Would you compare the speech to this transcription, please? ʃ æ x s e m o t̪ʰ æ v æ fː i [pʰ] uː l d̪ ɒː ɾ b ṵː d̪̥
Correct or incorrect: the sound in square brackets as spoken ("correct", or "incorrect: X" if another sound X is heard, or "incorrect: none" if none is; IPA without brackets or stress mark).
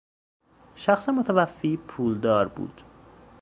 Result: correct